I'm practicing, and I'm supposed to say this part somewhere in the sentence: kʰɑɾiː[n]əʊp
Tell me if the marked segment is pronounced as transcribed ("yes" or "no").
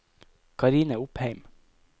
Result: yes